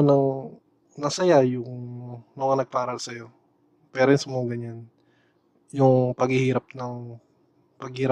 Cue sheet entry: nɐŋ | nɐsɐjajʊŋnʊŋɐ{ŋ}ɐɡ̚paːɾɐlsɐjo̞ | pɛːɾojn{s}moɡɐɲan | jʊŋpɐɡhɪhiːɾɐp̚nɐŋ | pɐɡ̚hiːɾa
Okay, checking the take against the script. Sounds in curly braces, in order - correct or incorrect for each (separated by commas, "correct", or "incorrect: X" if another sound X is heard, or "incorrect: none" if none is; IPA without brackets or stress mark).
incorrect: n, correct